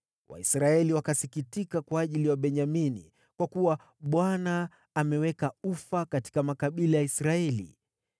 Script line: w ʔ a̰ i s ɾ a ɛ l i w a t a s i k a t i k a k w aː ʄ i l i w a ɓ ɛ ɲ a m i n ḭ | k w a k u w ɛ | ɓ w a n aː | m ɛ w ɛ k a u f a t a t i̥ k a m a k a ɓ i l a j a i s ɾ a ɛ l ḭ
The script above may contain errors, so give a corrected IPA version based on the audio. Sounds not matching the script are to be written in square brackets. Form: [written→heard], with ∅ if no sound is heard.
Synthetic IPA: w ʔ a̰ i s ɾ a ɛ l i w a [t→k] a s i k [a→i] t i k a k w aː ʄ i l i w a ɓ ɛ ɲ a m i n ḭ | k w a k u w [ɛ→a] | ɓ w a n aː | m ɛ w ɛ k a u f a [t→k] a t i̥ k a m a k a ɓ i l a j a i s ɾ a ɛ l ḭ

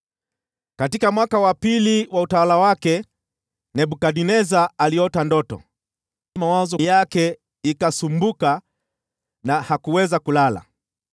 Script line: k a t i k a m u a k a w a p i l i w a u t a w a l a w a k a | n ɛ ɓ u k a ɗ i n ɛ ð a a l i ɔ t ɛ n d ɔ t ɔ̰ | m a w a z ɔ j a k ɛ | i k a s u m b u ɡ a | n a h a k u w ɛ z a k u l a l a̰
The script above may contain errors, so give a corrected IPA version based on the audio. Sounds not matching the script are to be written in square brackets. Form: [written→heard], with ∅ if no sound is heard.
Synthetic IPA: k a t i k a m [u→w] a k a w a p i l i w a u t a w a l a w a k [a→ɛ] | n ɛ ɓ u k a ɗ i n ɛ [ð→z] a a l i ɔ t [ɛ→a] n d ɔ t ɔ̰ | m a w a z ɔ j a k ɛ | i k a s u m b u [ɡ→k] a | n a h a k u w ɛ z a k u l a l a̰

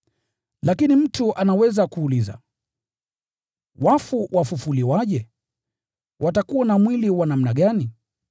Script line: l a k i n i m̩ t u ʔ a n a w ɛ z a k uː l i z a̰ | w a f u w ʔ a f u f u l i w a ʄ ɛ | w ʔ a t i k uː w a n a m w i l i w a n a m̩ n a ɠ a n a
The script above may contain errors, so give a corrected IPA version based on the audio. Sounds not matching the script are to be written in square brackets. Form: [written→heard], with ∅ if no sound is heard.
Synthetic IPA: l a k i n i m̩ t u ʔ a n a w ɛ z a k uː l i z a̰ | w a f u w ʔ a f u f u l i w a ʄ ɛ | w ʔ a t [i→a] k [uː→u] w a n a m w i l i w a n a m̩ n a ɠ a n [a→i]

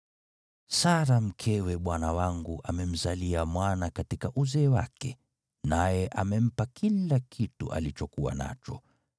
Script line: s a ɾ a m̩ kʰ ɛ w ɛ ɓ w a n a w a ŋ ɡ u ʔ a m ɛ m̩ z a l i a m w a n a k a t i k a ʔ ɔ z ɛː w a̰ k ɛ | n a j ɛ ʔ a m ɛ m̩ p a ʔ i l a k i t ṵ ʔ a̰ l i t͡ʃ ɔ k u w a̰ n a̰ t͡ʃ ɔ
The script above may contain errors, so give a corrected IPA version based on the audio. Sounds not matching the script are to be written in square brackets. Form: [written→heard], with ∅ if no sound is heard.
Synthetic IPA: s a ɾ a m̩ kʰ ɛ w ɛ ɓ w a n a w a ŋ ɡ u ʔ a m ɛ m̩ z a l i a m w a n a k a t i k a ʔ [ɔ→u] z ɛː w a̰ k ɛ | n a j ɛ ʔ a m ɛ m̩ p a [ʔ→k] i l a k i t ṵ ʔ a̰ l i t͡ʃ ɔ k u w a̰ n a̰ t͡ʃ ɔ

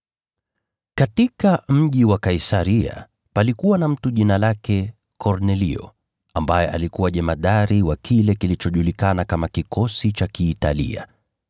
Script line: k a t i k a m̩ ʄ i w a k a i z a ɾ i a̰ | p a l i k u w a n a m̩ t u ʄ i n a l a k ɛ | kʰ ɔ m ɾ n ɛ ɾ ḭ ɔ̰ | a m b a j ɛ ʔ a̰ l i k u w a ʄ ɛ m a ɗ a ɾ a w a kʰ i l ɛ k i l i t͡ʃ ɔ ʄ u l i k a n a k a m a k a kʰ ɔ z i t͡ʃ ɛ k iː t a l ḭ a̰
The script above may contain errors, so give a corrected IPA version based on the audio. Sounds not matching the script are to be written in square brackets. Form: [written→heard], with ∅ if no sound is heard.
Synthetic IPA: k a t i k a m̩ ʄ i w a k a i [z→s] a ɾ i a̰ | p a l i k u w a n a m̩ t u ʄ i n a l a k ɛ | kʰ ɔ [m→∅] ɾ n ɛ [ɾ→l] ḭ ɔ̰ | a m b a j ɛ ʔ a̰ l i k u w a ʄ ɛ m a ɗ a ɾ [a→i] w a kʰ i l ɛ k i l i t͡ʃ ɔ ʄ u l i k a n a k a m a k [a→i] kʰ ɔ [z→s] i t͡ʃ [ɛ→a] k iː t a l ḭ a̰

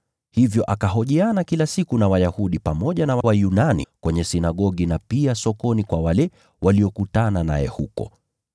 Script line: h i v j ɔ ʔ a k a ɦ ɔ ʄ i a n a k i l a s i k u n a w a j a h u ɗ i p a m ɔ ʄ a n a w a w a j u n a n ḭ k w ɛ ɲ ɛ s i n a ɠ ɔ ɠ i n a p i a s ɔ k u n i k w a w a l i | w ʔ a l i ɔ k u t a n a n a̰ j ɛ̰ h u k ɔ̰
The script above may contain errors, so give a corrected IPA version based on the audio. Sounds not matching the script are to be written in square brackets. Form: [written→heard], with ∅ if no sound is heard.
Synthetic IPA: h i v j ɔ ʔ a k a ɦ ɔ ʄ i a n a k i l a s i k u n a w a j a h u ɗ i p a m ɔ ʄ a n a w a w a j u n a n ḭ k w ɛ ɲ ɛ s i n a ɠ ɔ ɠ i n a p i a s ɔ k [u→ɔ] n i k w a w a l [i→ɛ] | w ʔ a l i ɔ k u t a n a n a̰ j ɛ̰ h u k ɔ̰

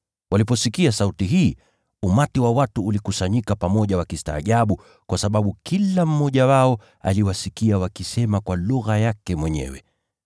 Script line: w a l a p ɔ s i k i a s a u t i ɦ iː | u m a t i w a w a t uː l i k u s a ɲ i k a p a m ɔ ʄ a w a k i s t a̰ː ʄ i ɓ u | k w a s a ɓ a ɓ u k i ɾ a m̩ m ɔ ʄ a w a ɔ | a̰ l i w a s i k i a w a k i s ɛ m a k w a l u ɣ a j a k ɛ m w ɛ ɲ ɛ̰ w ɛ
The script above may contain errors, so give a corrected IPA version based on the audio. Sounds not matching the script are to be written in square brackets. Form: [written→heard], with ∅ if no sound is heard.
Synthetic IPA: w a l [a→i] p ɔ s i k i a s a u t i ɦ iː | u m a t i w a w a t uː l i k u s a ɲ i k a p a m ɔ ʄ a w a k i s t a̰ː ʄ [i→a] ɓ u | k w a s a ɓ a ɓ u k i [ɾ→l] a m̩ m ɔ ʄ a w a ɔ | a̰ l i w a s i k i a w a k i s ɛ m a k w a l u ɣ a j a k ɛ m w ɛ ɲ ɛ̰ w ɛ

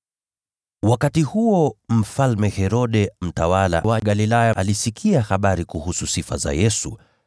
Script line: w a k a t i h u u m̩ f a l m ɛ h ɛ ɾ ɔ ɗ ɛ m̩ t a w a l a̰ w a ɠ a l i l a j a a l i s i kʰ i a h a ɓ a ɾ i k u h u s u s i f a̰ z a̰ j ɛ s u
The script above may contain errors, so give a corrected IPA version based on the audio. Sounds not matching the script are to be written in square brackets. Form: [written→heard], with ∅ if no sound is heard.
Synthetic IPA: w a k a t i h u [u→ɔ] m̩ f a l m ɛ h ɛ ɾ ɔ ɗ ɛ m̩ t a w a l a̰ w a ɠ a l i l a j a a l i s i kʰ i a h a ɓ a ɾ i k u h u s u s i f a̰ z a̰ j ɛ s u

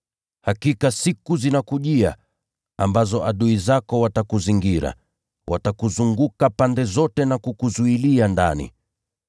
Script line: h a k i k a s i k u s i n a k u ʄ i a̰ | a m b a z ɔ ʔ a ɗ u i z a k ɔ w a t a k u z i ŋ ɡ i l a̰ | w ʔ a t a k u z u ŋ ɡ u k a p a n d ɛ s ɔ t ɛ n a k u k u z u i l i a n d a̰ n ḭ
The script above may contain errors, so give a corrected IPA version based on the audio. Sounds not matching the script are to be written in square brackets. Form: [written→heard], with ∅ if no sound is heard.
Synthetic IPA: h a k i k a s i k u [s→z] i n a k u ʄ i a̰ | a m b a z ɔ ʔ a ɗ u i z a k ɔ w a t a k u z i ŋ ɡ i [l→ɾ] a̰ | w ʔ a t a k u z u ŋ ɡ u k a p a n d ɛ [s→z] ɔ t ɛ n a k u k u z u i l i a n d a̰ n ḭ

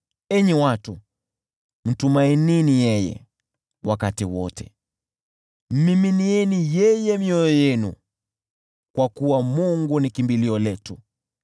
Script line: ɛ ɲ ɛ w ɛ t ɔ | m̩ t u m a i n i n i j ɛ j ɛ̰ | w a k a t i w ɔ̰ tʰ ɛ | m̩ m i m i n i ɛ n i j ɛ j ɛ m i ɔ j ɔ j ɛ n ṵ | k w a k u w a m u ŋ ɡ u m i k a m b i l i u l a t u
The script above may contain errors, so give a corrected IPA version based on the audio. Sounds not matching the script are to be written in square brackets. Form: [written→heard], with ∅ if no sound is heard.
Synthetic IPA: ɛ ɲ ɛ w [ɛ→a] t [ɔ→u] | m̩ t u m a i n i n i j ɛ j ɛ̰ | w a k a t i w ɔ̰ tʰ ɛ | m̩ m i m i n i ɛ n i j ɛ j ɛ m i ɔ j ɔ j ɛ n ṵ | k w a k u w a m u ŋ ɡ u [m→n] i k [a→i] m b i l i [u→ɔ] l [a→ɛ] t u

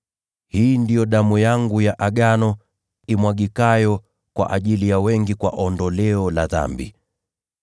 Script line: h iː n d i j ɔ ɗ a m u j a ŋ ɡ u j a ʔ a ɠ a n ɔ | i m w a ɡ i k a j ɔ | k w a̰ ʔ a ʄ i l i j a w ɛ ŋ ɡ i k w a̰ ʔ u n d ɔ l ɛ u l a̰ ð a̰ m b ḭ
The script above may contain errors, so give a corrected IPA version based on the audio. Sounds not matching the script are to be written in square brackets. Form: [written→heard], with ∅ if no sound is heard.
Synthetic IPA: h iː n d i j ɔ ɗ a m u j a ŋ ɡ u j a ʔ a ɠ a n ɔ | i m w a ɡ i k a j ɔ | k w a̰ ʔ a ʄ i l i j a w ɛ ŋ ɡ i k w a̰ ʔ [u→ɔ] n d ɔ l ɛ [u→ɔ] l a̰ ð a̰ m b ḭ

